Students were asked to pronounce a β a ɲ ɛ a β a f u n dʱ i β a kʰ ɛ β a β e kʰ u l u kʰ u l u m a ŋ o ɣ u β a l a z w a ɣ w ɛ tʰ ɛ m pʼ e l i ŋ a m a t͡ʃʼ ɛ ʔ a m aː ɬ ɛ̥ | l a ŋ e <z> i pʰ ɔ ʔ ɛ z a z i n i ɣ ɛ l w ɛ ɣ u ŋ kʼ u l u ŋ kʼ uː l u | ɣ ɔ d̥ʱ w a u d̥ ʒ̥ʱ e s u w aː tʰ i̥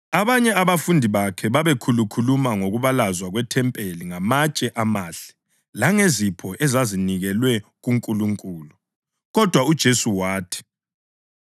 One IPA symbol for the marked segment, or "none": z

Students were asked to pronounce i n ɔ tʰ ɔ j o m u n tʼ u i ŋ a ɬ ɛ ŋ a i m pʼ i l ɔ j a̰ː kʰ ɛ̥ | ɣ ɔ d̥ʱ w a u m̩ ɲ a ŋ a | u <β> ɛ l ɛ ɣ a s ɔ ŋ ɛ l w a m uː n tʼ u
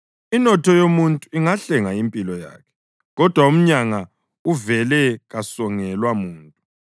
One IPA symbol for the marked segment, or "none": v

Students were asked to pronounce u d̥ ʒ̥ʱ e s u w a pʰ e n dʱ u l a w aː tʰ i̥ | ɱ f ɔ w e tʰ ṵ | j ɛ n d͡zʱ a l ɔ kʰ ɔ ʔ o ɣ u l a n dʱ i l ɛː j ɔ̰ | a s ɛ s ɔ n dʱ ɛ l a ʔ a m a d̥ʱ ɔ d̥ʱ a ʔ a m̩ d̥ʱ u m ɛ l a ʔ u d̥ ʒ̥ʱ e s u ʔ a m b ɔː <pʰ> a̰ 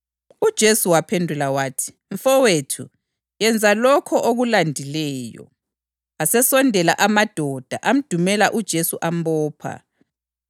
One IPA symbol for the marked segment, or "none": pʰ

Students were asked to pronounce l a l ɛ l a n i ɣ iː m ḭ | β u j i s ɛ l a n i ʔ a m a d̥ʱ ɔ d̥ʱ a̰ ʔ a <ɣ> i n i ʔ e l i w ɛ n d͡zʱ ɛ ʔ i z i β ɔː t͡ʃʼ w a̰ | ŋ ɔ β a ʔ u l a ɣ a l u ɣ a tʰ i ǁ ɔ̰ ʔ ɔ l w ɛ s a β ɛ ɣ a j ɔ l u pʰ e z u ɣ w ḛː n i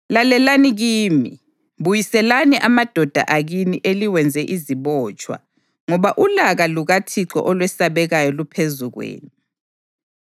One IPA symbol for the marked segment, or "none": ɣ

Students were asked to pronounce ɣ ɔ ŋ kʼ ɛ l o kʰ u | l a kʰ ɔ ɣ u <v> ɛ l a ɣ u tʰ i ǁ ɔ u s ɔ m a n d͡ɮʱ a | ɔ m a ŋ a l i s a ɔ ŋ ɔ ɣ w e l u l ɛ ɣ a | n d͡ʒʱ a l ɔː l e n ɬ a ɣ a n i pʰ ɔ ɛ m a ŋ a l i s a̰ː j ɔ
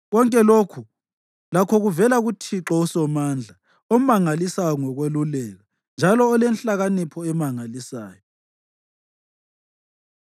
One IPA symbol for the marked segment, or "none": v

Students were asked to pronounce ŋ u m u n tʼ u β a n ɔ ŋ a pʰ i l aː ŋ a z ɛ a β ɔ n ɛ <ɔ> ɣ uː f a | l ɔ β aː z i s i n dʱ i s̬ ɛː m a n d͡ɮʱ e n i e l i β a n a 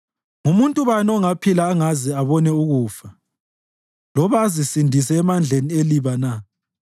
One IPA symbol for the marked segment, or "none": u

